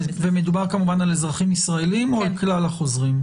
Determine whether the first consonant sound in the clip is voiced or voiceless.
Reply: voiced